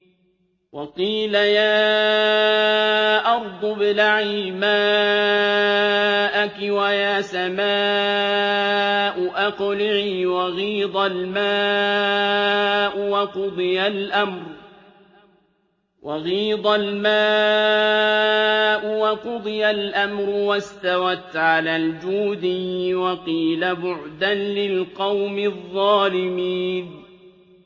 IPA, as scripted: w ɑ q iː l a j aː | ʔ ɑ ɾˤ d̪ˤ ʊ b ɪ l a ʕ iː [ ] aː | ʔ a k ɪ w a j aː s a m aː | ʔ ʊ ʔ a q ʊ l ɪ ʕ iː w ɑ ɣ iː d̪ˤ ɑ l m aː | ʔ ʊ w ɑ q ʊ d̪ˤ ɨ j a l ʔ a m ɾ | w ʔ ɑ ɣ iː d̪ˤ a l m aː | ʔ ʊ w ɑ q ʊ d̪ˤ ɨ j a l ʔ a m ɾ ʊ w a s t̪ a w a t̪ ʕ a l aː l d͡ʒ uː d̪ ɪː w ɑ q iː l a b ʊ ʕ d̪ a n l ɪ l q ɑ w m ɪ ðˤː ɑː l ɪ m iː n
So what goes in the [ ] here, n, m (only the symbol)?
m